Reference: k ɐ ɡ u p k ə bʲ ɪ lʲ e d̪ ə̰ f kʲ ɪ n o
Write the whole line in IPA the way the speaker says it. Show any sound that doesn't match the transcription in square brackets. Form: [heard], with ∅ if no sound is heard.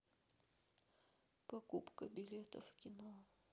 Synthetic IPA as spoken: [p] ɐ [k] u p k ə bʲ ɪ lʲ e [t̪] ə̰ f kʲ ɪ n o